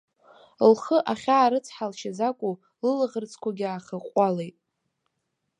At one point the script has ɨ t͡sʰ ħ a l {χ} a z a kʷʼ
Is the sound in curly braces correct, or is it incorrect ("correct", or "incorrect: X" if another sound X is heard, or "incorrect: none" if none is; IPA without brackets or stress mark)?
incorrect: ʃ